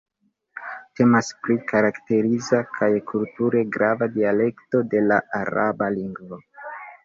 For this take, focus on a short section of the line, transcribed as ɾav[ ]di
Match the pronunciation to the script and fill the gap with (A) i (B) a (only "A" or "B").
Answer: B